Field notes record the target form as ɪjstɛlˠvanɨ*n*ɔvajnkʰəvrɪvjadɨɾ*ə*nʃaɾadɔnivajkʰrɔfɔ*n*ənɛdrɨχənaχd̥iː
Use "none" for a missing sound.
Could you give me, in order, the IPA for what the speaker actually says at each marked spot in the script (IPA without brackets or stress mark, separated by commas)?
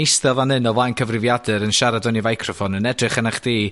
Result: n, ə, n